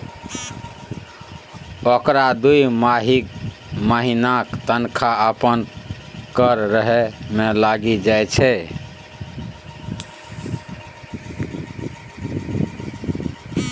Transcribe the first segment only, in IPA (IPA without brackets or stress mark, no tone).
o